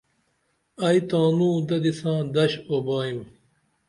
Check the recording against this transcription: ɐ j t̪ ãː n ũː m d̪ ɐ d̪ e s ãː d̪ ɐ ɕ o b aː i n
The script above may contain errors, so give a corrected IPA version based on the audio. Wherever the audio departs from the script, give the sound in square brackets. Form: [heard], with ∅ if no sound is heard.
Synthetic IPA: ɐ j t̪ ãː n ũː [∅] d̪ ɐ d̪ [i] s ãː d̪ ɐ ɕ o b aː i [m]